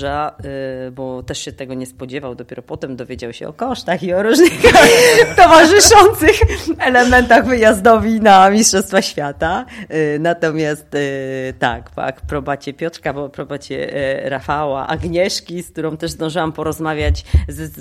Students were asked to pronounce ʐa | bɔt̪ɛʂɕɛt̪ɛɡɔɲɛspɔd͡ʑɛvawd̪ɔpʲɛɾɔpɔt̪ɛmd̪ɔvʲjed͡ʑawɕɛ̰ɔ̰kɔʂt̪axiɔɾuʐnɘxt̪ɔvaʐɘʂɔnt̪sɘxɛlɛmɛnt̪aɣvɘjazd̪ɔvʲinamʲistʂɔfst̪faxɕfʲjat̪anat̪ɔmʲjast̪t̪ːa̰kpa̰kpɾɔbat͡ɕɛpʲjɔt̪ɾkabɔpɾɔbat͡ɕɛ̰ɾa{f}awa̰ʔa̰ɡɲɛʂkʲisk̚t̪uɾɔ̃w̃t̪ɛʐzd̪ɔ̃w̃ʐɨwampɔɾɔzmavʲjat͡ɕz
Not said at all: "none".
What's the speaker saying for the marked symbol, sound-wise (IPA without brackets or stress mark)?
f